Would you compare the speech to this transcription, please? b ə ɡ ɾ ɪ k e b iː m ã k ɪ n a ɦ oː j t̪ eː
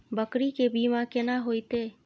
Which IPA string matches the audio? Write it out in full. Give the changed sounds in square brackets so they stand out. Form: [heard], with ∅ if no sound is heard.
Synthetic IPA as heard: b ə [k] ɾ [i] k e b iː m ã k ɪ n a ɦ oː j t̪ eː